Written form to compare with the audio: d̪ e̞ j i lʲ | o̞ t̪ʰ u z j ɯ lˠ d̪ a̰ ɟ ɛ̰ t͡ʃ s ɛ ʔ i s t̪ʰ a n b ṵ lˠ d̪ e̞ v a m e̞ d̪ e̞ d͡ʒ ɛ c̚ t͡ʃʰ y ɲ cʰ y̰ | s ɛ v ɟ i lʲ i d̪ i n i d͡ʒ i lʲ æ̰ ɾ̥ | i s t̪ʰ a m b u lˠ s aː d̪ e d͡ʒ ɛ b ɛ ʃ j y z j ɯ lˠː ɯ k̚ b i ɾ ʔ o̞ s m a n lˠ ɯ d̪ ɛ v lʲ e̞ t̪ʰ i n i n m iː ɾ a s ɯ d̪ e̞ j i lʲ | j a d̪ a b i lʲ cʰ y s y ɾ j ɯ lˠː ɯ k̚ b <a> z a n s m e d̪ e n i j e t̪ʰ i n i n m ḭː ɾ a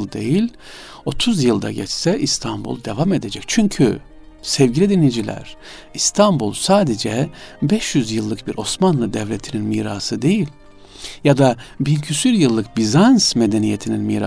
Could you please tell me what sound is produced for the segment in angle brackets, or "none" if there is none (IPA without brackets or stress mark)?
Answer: i